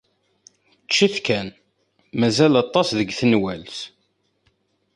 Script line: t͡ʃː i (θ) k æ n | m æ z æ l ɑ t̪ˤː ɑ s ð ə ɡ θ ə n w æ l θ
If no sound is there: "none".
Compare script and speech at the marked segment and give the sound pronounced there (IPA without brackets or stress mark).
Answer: θ